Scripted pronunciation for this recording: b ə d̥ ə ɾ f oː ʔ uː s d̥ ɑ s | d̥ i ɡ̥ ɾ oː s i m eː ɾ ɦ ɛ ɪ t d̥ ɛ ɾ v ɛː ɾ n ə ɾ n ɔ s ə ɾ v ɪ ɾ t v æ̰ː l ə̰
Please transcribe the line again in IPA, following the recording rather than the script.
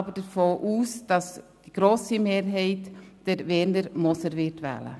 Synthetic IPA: b ə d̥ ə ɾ f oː ʔ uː s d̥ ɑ s | d̥ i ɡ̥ ɾ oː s i m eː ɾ ɦ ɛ ɪ t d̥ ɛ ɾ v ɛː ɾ n ə ɾ m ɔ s ə ɾ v ɪ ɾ t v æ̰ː l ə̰